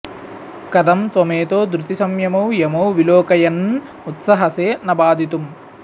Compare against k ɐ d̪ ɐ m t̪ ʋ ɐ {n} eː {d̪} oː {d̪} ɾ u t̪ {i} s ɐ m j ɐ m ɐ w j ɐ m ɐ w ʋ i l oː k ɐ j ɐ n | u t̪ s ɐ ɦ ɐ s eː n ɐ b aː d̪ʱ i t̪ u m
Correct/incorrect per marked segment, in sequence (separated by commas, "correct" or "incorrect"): incorrect, incorrect, correct, correct